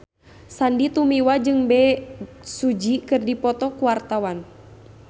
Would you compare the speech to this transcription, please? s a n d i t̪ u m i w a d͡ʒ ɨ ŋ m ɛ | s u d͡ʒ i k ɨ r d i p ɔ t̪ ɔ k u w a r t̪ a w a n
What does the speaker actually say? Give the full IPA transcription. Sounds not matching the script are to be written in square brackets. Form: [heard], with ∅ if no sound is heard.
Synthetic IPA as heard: s a n d i t̪ u m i w a d͡ʒ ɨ ŋ [b] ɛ | s u d͡ʒ i k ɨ r d i p ɔ t̪ ɔ k u w a r t̪ a w a n